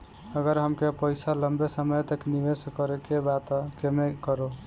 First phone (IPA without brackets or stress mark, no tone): ə